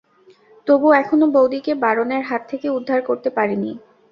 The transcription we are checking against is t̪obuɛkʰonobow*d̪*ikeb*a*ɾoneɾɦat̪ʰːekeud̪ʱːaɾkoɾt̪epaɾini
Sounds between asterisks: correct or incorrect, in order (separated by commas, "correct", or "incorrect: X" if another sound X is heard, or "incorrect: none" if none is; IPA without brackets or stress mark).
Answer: correct, correct